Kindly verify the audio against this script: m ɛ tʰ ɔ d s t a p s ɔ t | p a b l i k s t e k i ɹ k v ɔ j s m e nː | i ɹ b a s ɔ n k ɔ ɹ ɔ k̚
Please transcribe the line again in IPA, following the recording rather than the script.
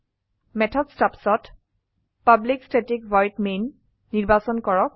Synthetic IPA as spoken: m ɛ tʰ ɔ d s t a p s ɔ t | p a b l i k s t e t i k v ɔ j t m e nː | i ɹ b a s ɔ n k ɔ ɹ ɔ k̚